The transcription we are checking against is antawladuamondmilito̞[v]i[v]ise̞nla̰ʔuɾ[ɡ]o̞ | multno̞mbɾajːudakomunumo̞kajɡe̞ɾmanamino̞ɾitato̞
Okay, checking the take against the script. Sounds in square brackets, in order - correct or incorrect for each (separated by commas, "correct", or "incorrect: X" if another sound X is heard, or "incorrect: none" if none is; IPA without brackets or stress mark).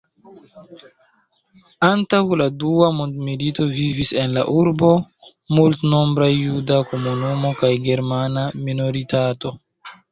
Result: correct, correct, incorrect: b